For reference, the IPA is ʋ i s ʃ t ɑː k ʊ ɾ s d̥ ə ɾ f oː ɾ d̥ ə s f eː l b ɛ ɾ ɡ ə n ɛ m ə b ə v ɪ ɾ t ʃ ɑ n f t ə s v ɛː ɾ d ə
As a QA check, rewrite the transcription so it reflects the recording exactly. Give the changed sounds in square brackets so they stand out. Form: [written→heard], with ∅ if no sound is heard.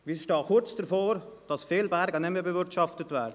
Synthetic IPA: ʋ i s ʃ t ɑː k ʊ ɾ [s→t͡s] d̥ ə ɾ f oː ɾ d̥ [ə→ɑ] s f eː l b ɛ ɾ ɡ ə n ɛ m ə b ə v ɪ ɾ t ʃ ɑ [n→∅] f t ə [s→t] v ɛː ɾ d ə